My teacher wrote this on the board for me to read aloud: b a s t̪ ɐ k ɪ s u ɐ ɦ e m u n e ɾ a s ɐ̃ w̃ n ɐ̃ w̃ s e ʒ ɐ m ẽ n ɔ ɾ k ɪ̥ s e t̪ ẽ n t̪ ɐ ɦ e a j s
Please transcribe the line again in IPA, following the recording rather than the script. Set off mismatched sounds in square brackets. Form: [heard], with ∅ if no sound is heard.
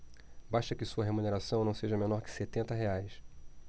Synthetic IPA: b a [ʃ] t̪ ɐ k ɪ s u ɐ ɦ e m u n e ɾ a s ɐ̃ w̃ n ɐ̃ w̃ s e ʒ ɐ m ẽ n ɔ ɾ k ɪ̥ s e t̪ ẽ n t̪ ɐ ɦ e a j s

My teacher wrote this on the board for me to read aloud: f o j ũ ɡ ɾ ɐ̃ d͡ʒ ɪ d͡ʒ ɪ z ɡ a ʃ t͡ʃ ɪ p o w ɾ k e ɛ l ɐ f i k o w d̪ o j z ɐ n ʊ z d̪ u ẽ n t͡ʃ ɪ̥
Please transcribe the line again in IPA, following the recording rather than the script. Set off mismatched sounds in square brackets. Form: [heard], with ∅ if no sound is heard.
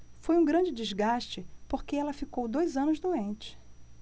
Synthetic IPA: f o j ũ ɡ ɾ ɐ̃ d͡ʒ ɪ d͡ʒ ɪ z ɡ a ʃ t͡ʃ ɪ p o [∅] ɾ k e ɛ l ɐ f i k o w d̪ o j z [ɐ̃] n ʊ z d̪ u ẽ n t͡ʃ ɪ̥

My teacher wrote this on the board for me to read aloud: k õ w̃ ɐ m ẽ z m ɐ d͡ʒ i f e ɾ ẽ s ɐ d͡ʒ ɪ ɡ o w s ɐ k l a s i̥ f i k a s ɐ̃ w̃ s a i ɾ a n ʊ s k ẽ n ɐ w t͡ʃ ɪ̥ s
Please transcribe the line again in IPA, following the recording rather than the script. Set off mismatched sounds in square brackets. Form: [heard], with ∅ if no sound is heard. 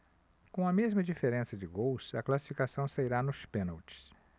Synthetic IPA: k õ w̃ ɐ m [e] z m ɐ d͡ʒ i f e ɾ ẽ s ɐ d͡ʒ ɪ ɡ o w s ɐ k l a s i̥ f i k a s ɐ̃ w̃ s a i ɾ a n ʊ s [p] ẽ n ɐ w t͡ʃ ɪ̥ s

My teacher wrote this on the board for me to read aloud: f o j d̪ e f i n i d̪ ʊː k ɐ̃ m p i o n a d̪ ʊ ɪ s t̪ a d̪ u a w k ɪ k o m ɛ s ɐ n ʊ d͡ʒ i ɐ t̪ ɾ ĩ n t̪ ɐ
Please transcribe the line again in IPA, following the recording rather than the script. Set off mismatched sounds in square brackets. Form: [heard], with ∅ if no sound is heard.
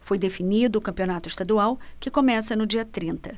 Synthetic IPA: f o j d̪ e f i n i d̪ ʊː k ɐ̃ m p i o n a [t̪] ʊ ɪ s t̪ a d̪ u a w k ɪ k o m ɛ s ɐ n ʊ d͡ʒ i ɐ t̪ ɾ ĩ n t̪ ɐ

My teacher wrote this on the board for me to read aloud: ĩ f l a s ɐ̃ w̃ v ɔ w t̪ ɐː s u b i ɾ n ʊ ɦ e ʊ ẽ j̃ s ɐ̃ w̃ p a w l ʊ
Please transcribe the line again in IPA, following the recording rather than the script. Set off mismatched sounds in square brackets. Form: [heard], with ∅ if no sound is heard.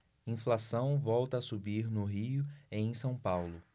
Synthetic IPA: ĩ f l a s ɐ̃ w̃ v ɔ w t̪ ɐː s u b i ɾ n ʊ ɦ [i] ʊ ẽ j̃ s ɐ̃ w̃ p a w l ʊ

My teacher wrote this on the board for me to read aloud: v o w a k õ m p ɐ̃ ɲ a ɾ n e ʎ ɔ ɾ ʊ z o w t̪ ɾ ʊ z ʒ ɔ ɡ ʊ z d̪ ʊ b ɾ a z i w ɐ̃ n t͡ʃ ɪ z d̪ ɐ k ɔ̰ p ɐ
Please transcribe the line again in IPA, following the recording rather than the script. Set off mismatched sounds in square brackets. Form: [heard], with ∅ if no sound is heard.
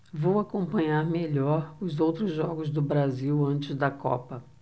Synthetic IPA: v o w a k õ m p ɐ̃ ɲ a ɾ [m] e ʎ ɔ ɾ ʊ z o w t̪ ɾ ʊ z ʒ ɔ ɡ ʊ z d̪ ʊ b ɾ a z i w ɐ̃ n t͡ʃ ɪ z d̪ ɐ k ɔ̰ p ɐ

